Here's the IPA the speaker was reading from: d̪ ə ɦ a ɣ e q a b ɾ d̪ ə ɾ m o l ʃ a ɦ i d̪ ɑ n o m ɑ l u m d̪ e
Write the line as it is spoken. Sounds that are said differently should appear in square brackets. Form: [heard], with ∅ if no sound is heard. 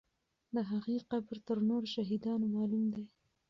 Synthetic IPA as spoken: d̪ ə ɦ a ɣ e q a b ɾ [t̪] ə ɾ [n] o [ɾ] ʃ a ɦ i d̪ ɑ n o m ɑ l u m d̪ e